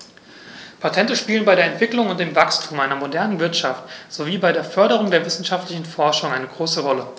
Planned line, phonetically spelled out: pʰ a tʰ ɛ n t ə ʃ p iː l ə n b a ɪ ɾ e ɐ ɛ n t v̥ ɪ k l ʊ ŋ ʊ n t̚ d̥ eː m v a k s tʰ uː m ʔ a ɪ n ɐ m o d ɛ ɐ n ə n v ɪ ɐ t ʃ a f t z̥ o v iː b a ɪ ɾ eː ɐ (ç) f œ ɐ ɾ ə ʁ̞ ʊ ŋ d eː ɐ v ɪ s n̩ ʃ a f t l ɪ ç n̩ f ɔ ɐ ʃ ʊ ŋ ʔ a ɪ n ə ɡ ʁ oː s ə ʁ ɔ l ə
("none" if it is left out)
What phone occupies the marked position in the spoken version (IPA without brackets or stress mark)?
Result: none